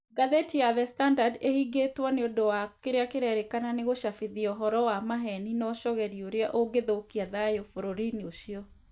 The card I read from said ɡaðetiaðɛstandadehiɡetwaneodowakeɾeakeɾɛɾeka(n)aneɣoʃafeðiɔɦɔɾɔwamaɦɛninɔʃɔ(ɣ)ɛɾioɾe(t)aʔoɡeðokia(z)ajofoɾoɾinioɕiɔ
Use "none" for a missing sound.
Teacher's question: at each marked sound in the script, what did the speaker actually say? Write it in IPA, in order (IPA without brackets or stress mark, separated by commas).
n, ɣ, none, ð